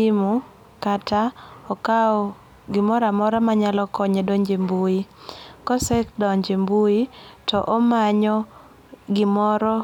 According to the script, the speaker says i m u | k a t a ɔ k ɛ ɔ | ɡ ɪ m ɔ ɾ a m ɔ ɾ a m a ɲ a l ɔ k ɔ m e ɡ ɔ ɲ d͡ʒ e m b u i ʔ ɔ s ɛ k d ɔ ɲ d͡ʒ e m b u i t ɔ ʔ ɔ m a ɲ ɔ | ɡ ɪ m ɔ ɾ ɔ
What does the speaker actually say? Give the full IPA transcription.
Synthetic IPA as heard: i m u | k a t a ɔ k a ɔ | ɡ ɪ m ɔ ɾ a m ɔ ɾ a m a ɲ a l ɔ k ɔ ɲ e d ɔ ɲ d͡ʒ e m b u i k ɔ s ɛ k d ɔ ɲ d͡ʒ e m b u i t ɔ ʔ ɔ m a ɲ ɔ | ɡ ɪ m ɔ ɾ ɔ

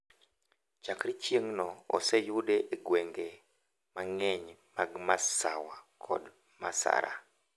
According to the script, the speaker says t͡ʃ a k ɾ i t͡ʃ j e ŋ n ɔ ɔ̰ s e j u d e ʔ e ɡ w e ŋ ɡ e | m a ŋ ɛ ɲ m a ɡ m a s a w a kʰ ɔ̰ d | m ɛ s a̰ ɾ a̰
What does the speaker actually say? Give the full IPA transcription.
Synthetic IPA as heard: t͡ʃ a k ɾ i t͡ʃ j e ŋ n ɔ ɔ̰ s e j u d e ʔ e ɡ w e ŋ ɡ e | m a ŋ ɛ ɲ m a ɡ m a s a w a kʰ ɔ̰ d | m a s a̰ ɾ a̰

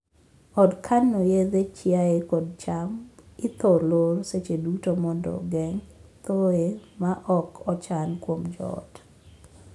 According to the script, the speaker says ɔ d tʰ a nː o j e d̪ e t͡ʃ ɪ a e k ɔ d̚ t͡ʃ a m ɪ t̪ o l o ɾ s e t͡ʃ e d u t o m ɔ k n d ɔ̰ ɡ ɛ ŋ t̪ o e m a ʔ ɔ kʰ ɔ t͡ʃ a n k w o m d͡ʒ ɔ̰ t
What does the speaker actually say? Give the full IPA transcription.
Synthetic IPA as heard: ɔ d kʰ a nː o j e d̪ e t͡ʃ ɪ a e k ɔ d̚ t͡ʃ a m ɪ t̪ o l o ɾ s e t͡ʃ e d u t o m ɔ n d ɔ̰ ɡ ɛ ŋ t̪ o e m a ʔ ɔ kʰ ɔ t͡ʃ a n k w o m d͡ʒ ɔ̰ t

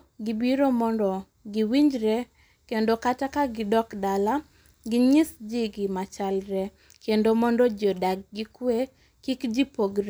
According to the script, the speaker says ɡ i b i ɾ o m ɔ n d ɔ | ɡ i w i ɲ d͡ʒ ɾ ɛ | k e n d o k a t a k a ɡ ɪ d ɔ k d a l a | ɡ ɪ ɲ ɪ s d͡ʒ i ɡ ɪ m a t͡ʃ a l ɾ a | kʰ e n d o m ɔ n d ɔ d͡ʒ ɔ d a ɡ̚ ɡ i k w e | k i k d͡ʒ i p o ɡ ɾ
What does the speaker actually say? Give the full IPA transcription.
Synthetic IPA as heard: ɡ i b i ɾ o m ɔ n d ɔ | ɡ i w i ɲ d͡ʒ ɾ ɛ | k e n d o k a t a k a ɡ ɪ d ɔ k d a l a | ɡ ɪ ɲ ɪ s d͡ʒ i ɡ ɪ m a t͡ʃ a l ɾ ɛ | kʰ e n d o m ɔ n d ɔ d͡ʒ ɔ d a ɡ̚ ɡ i k w e | k i k d͡ʒ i p o ɡ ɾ

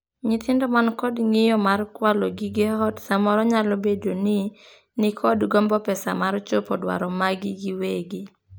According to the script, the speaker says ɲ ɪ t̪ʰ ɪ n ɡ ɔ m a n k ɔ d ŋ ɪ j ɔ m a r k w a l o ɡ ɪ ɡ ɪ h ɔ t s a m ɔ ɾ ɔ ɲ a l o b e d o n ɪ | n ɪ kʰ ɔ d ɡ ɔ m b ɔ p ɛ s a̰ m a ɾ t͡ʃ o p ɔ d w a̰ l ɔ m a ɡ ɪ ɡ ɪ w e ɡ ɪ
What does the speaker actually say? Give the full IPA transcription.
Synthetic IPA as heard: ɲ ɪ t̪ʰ ɪ n d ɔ m a n k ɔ d ŋ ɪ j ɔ m a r k w a l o ɡ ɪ ɡ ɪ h ɔ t s a m ɔ ɾ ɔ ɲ a l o b e d o n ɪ | n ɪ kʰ ɔ d ɡ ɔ m b ɔ p ɛ s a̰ m a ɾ t͡ʃ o p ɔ d w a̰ ɾ ɔ m a ɡ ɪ ɡ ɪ w e ɡ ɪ

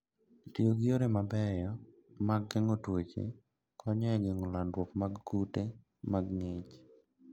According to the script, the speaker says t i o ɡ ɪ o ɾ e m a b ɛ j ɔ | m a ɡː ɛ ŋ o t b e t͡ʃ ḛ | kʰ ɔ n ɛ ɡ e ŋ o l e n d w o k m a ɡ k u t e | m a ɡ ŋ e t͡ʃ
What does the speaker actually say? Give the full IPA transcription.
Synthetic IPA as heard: t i o ɡ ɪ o ɾ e m a b ɛ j ɔ | m a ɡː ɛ ŋ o t w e t͡ʃ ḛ | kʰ ɔ ɲ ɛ ɡ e ŋ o l a n d w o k m a ɡ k u t e | m a ɡ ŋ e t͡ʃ

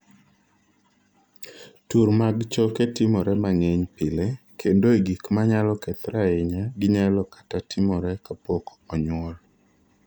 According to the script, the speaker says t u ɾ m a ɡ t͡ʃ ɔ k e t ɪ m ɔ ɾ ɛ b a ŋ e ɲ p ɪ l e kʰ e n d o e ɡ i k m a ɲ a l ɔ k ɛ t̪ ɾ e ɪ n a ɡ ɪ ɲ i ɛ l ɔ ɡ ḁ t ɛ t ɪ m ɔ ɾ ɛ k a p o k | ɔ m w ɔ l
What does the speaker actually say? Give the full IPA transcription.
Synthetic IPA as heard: t u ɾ m a ɡ t͡ʃ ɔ k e t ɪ m ɔ ɾ ɛ m a ŋ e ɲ p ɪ l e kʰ e n d o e ɡ i k m a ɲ a l ɔ k ɛ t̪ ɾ a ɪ ɲ a ɡ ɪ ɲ a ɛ l ɔ k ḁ t a t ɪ m ɔ ɾ ɛ k a p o k | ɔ ɲ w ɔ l

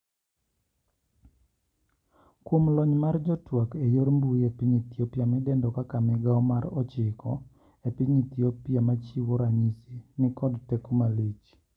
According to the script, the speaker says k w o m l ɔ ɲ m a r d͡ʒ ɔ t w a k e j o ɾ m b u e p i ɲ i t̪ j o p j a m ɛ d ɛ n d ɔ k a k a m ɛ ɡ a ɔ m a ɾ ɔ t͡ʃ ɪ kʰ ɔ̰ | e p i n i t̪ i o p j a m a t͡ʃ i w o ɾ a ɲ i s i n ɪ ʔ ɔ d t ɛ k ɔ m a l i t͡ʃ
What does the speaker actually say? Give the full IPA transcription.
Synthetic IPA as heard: k w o m l ɔ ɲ m a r d͡ʒ ɔ t w a k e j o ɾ m b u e p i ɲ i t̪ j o p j a m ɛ d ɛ n d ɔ k a k a m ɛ ɡ a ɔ m a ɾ ɔ t͡ʃ ɪ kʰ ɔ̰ | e p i ɲ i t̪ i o p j a m a t͡ʃ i w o ɾ a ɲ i s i n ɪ k ɔ d t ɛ k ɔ m a l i t͡ʃ

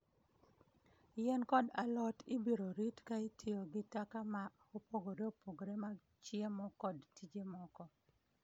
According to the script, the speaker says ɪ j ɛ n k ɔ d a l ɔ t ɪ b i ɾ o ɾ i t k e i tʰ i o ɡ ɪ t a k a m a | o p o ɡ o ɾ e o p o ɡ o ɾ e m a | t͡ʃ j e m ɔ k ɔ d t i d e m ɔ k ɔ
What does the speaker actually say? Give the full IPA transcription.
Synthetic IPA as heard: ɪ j ɛ n k ɔ d a l ɔ t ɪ b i ɾ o ɾ i t k a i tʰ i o ɡ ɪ t a k a m a | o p o ɡ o ɾ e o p o ɡ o ɾ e m a | t͡ʃ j e m ɔ k ɔ d t i d͡ʒ e m ɔ k ɔ

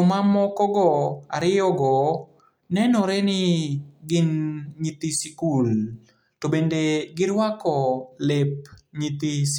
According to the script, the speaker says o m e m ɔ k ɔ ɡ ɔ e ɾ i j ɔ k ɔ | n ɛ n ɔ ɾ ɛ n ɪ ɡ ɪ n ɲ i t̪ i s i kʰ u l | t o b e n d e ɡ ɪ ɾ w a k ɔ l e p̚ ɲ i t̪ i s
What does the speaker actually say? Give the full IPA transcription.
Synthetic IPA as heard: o m a m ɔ k ɔ ɡ ɔ a ɾ ɪ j ɔ ɡ ɔ | n ɛ n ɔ ɾ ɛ n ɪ ɡ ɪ n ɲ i t̪ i s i k u l | t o b e n d e ɡ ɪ ɾ w a k ɔ l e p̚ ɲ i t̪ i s

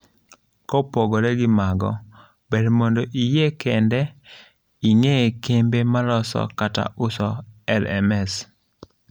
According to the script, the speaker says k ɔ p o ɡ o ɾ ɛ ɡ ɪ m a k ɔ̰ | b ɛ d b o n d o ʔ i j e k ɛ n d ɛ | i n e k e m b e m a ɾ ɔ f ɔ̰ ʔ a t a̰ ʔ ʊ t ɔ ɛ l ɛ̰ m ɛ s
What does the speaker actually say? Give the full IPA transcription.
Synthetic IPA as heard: k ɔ p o ɡ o ɾ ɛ ɡ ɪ m a ɡ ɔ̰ | b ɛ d m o n d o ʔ i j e k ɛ n d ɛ | i ŋ e k e m b e m a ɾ ɔ s ɔ̰ k a t a̰ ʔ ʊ s ɔ ɛ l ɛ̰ m ɛ s

